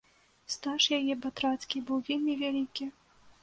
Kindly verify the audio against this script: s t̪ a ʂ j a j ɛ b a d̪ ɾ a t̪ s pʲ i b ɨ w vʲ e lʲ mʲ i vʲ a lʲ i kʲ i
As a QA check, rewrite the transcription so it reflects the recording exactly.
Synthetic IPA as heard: s t̪ a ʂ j a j ɛ b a t̪ ɾ a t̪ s kʲ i b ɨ w vʲ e lʲ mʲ i vʲ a lʲ i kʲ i